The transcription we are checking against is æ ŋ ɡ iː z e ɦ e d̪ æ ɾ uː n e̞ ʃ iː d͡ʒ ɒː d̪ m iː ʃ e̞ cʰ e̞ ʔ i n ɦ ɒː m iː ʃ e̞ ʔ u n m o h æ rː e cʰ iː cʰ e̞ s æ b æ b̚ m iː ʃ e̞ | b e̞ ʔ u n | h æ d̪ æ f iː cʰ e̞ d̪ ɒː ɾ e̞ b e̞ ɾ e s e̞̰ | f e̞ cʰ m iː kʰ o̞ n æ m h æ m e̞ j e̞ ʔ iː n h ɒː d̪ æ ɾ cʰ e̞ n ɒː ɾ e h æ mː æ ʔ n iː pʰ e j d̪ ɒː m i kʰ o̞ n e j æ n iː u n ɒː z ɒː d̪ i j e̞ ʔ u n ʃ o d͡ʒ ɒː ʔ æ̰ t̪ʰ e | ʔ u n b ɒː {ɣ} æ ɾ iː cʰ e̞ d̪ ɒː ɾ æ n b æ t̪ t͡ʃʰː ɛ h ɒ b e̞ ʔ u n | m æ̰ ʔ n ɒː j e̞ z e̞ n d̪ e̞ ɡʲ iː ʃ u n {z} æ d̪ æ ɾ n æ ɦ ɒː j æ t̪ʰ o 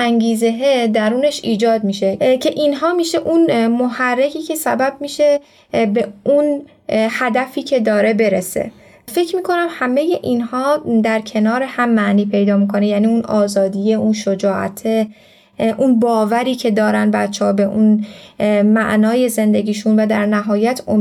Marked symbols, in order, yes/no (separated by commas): no, no